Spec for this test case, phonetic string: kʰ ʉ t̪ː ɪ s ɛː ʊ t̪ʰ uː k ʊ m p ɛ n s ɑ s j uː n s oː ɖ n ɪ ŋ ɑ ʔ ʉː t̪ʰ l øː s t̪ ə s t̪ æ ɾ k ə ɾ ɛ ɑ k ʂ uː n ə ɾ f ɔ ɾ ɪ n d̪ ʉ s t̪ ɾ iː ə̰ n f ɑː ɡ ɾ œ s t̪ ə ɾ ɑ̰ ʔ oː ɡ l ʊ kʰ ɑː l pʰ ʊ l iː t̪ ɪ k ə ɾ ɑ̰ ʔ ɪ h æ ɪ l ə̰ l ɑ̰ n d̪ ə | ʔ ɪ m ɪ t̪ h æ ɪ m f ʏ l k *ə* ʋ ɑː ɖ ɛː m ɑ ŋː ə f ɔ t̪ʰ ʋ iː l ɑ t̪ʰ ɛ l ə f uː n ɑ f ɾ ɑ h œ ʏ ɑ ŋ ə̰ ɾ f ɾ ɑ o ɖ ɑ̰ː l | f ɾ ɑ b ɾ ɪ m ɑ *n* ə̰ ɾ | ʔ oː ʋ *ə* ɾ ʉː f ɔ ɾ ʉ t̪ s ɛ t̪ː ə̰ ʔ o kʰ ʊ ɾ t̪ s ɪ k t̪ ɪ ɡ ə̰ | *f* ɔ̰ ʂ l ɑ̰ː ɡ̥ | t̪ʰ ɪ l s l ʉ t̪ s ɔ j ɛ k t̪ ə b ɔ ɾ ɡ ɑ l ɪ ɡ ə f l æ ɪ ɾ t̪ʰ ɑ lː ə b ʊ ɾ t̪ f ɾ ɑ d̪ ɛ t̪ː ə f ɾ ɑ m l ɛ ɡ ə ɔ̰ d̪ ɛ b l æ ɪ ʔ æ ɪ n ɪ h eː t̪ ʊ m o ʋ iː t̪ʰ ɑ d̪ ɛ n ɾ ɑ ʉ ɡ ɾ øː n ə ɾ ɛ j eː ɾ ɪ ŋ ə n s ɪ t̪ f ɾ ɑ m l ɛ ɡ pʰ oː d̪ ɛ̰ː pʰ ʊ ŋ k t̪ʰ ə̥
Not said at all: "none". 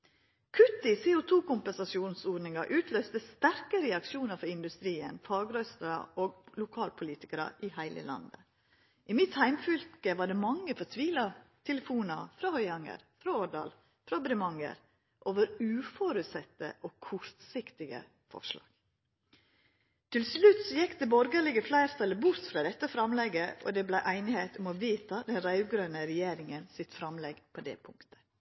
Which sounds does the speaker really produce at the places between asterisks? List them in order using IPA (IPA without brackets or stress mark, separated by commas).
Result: ə, ŋ, ə, f